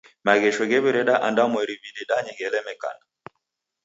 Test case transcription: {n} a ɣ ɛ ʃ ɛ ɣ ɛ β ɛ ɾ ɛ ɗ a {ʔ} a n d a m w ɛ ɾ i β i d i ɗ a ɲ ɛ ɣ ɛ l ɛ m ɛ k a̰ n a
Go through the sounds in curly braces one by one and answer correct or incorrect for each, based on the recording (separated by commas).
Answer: incorrect, correct